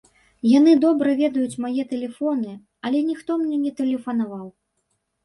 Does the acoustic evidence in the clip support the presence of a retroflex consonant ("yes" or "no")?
no